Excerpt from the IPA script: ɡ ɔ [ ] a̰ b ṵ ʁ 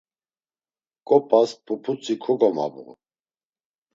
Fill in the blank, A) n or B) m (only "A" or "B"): B